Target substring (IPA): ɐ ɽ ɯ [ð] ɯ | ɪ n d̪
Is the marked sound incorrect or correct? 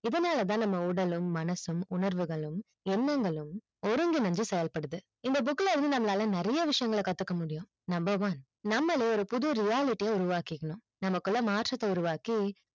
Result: correct